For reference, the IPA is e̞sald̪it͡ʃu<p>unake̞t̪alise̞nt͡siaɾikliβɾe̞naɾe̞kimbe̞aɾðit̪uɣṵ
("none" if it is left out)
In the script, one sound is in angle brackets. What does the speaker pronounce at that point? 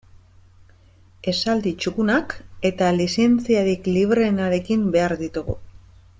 k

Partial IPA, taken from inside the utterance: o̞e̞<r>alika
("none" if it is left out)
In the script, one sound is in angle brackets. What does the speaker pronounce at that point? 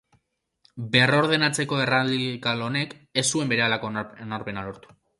r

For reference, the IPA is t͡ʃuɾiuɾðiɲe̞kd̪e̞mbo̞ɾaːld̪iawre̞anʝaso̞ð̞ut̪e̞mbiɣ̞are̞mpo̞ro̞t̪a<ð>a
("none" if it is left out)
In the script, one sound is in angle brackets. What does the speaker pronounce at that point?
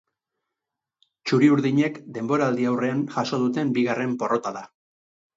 ð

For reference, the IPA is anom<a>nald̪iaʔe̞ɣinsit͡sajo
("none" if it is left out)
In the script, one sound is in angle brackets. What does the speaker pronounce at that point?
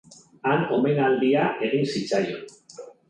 e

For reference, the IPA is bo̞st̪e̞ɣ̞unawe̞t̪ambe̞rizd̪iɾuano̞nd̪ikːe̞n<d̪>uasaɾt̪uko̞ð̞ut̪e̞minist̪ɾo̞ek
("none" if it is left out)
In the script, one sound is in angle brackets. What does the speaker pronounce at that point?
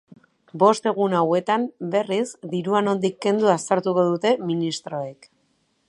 d̪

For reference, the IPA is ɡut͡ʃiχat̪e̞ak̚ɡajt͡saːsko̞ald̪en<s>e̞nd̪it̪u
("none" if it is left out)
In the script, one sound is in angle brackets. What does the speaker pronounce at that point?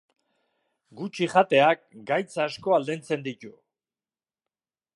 t͡s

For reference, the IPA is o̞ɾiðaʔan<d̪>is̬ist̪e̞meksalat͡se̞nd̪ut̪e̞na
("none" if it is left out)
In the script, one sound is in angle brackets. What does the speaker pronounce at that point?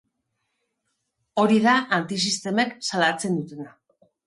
t̪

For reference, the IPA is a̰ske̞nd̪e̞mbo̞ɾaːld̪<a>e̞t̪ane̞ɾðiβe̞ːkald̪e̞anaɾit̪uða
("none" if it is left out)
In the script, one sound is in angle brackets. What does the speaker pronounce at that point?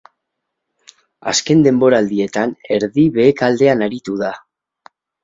i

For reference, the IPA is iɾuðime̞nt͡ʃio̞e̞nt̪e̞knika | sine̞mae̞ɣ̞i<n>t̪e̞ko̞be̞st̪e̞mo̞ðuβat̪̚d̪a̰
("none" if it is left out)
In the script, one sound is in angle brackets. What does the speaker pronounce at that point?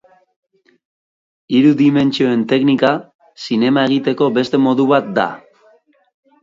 none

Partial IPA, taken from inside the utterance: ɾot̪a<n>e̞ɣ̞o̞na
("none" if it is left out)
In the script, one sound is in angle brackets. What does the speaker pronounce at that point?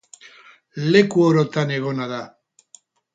n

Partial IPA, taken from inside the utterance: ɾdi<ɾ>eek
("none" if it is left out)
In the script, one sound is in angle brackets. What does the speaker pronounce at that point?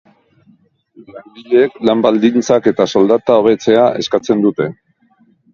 ʎ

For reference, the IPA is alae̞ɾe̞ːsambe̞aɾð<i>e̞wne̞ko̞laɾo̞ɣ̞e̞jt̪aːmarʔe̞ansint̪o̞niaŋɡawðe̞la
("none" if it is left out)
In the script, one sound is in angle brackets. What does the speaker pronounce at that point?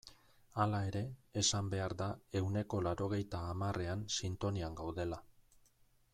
a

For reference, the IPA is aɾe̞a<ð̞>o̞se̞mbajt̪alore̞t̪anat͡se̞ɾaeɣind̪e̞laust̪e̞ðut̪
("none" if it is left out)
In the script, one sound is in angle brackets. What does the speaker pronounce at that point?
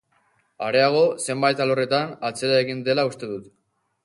ɣ̞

